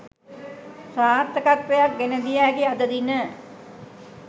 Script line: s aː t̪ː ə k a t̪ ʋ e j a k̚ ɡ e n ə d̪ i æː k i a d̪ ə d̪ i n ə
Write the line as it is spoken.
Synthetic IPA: s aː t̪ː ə k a t̪ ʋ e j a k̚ ɡ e n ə d̪ i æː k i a d̪ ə d̪ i n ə